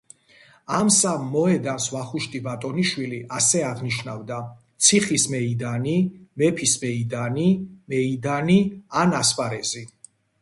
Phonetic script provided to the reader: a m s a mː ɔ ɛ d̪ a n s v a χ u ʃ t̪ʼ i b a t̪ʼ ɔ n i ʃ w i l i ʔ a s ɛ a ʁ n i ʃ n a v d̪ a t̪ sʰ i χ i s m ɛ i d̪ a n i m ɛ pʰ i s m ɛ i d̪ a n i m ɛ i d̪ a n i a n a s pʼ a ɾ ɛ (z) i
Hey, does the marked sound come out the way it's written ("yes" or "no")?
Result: yes